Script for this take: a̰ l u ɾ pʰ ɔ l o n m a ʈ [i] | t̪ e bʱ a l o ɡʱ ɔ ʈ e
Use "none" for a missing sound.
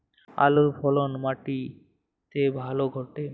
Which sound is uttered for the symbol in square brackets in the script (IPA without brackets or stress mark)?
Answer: i